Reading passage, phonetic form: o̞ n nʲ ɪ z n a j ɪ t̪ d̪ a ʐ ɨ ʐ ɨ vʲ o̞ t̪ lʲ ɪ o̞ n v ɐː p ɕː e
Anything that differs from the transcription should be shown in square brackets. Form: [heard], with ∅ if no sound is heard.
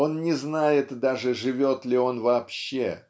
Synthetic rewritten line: o̞ n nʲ ɪ z n a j ɪ t̪ d̪ a ʐ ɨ ʐ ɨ vʲ o̞ t̪ lʲ ɪ o̞ n v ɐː p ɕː e